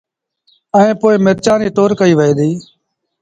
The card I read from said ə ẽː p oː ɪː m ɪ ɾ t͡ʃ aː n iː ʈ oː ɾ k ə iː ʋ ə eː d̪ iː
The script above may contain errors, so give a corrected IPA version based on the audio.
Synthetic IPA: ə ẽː p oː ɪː m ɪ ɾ t͡ʃ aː n iː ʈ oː ɾ k ə iː ʋ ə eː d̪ iː